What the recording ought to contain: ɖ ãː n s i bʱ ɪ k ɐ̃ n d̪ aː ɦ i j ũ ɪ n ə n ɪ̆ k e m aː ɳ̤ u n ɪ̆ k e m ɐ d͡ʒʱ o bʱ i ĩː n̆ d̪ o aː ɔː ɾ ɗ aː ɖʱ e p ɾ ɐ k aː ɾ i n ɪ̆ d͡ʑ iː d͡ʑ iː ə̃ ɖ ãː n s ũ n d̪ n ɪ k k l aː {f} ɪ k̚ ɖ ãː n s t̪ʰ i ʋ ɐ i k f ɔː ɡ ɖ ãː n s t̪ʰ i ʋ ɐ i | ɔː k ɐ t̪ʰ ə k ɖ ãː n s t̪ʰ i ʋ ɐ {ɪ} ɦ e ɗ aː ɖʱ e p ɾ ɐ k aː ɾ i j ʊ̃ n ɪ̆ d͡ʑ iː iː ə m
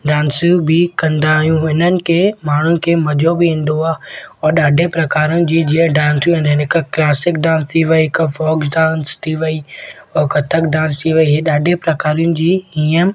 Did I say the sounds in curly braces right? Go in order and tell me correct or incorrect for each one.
incorrect, incorrect

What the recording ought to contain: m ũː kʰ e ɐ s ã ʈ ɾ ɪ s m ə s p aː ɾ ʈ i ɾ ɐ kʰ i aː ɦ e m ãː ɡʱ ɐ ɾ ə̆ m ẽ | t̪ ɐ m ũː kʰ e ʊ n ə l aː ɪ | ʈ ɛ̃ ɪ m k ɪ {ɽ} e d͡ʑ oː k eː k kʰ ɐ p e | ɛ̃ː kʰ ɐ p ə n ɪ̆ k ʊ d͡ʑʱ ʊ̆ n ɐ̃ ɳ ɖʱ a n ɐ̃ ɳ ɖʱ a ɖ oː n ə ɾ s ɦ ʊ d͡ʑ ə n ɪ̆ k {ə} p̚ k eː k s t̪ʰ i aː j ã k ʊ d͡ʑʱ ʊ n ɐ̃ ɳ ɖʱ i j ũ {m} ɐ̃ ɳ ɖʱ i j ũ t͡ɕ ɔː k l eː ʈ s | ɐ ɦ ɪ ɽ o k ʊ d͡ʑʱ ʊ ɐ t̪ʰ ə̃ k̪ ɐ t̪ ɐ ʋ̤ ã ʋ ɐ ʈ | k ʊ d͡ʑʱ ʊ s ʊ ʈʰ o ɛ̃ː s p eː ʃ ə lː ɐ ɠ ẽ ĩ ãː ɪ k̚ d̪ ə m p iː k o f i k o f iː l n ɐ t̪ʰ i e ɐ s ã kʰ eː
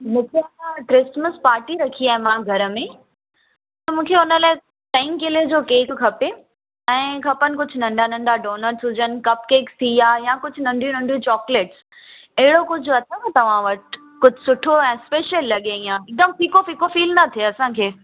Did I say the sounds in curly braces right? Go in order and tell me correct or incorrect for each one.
incorrect, incorrect, incorrect

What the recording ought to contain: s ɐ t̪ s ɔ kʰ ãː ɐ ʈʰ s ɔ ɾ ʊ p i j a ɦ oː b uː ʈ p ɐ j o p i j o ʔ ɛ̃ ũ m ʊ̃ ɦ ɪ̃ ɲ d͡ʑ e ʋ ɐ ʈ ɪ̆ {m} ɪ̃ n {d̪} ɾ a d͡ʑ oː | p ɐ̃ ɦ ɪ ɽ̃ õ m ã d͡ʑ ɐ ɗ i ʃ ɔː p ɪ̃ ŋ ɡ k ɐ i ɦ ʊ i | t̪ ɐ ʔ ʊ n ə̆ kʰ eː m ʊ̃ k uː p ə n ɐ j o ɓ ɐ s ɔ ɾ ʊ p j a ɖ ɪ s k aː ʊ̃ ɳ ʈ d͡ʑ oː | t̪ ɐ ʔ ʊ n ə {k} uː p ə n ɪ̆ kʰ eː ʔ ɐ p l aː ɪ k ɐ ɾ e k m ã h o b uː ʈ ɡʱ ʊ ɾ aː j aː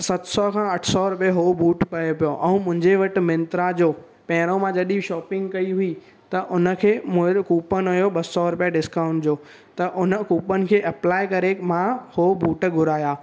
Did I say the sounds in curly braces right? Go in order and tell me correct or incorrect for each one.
correct, incorrect, correct

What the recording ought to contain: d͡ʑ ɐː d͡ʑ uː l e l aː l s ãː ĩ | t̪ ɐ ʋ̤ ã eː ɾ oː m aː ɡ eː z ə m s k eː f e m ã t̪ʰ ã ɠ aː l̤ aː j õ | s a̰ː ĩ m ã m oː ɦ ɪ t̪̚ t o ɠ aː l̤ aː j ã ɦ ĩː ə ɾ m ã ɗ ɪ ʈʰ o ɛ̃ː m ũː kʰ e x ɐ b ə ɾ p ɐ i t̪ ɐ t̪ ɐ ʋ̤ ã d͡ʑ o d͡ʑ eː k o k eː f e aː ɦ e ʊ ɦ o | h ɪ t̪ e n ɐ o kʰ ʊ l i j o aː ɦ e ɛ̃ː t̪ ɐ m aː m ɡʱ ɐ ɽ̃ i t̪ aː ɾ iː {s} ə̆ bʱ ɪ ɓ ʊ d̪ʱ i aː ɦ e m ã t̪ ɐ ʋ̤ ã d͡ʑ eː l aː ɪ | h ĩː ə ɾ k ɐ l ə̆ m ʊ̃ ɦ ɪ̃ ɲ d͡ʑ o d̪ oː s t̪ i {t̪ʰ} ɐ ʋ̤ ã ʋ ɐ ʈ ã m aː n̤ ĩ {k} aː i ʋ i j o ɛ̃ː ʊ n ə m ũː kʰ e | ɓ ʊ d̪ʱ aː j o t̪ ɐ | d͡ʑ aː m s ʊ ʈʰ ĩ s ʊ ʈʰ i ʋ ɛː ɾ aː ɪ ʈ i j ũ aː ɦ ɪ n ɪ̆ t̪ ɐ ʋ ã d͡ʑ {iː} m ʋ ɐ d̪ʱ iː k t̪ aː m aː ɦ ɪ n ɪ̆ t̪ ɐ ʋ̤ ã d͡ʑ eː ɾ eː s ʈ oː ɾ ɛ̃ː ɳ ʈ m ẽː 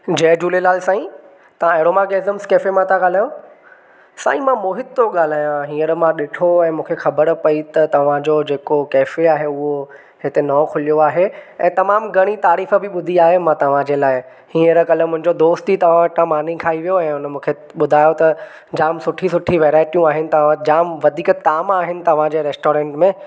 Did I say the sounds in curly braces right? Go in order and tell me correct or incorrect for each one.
incorrect, incorrect, incorrect, incorrect

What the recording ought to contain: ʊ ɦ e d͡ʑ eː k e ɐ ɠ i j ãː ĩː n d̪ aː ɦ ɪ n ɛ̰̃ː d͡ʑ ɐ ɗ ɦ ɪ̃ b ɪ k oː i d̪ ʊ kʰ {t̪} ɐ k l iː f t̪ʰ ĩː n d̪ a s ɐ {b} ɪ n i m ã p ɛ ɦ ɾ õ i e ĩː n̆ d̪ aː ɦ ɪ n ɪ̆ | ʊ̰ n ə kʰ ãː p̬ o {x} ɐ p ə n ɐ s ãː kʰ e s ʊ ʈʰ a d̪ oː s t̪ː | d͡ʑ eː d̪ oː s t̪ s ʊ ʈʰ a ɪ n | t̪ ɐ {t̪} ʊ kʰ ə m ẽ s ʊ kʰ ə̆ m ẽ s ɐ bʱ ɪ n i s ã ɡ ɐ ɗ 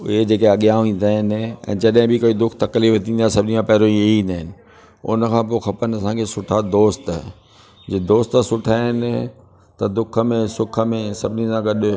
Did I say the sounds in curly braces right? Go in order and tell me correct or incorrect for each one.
correct, correct, correct, incorrect

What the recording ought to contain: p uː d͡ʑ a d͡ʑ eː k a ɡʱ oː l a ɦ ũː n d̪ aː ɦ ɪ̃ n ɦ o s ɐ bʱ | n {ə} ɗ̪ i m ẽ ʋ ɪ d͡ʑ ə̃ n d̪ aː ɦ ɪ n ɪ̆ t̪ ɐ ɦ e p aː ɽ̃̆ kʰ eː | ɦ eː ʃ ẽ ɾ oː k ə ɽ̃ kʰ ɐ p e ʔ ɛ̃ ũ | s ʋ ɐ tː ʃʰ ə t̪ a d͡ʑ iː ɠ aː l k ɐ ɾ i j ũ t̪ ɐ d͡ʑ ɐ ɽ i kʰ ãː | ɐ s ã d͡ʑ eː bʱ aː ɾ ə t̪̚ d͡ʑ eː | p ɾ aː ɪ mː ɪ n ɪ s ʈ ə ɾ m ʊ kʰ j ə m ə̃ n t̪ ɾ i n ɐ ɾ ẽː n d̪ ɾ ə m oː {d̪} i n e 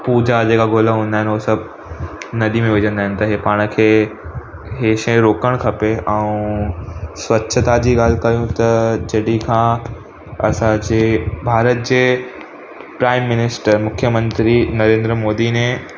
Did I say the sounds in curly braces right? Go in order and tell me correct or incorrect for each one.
incorrect, correct

